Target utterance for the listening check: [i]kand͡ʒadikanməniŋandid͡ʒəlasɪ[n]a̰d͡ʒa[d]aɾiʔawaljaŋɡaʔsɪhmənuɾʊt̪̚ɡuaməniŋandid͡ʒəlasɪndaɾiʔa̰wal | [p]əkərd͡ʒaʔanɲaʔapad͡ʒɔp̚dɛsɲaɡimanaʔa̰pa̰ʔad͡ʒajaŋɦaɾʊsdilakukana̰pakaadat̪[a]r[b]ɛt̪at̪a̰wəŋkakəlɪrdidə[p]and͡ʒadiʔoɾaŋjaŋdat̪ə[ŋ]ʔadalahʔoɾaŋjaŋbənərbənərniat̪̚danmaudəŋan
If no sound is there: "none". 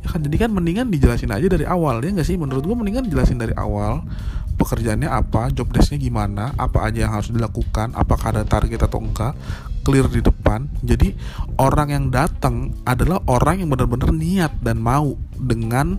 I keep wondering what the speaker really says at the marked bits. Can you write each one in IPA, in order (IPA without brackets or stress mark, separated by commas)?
a, n, d, p, a, ɡ, p, ŋ